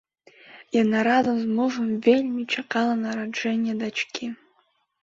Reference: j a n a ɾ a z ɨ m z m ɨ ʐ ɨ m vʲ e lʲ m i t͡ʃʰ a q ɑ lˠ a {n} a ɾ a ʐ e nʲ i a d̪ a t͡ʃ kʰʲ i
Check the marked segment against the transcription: correct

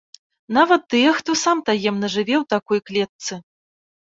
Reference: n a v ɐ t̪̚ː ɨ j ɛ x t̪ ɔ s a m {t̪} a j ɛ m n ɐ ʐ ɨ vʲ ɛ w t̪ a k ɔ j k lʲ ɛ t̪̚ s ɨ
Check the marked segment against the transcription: correct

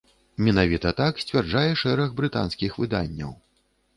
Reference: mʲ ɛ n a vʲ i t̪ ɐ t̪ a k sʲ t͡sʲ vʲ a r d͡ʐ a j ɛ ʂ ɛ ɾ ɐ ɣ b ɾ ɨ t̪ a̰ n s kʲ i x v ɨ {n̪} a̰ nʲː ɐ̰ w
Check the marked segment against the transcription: incorrect: d̪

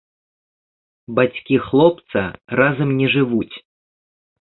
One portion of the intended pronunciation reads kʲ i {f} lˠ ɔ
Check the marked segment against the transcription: incorrect: x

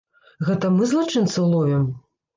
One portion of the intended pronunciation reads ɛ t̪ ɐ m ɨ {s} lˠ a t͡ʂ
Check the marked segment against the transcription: incorrect: z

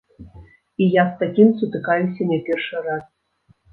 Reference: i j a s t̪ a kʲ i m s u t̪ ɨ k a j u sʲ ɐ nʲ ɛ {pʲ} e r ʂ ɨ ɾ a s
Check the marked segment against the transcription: correct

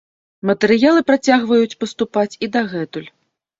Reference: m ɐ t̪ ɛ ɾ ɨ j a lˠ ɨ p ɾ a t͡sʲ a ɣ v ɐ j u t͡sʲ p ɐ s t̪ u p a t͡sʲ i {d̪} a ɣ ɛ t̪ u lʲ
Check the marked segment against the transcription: correct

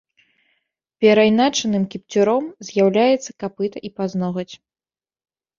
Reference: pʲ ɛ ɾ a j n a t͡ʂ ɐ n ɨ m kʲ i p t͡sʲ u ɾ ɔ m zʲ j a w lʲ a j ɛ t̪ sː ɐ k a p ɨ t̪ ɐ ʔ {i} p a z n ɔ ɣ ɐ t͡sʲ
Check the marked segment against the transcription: correct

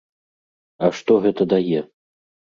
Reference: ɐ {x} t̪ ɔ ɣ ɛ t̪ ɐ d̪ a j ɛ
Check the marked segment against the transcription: incorrect: ʂ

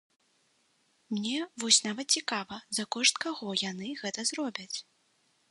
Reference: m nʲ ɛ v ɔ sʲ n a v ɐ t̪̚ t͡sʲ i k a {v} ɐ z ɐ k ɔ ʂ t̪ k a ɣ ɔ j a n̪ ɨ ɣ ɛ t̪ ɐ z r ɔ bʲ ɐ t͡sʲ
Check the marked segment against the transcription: correct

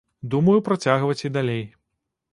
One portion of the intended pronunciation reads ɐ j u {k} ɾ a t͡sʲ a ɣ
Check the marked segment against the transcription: incorrect: p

